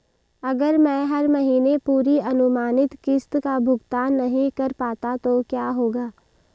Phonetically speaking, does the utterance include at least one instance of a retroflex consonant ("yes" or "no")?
no